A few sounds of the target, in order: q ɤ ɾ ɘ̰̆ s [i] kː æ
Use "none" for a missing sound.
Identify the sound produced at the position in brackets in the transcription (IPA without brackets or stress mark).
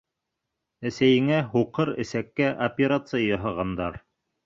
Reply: æ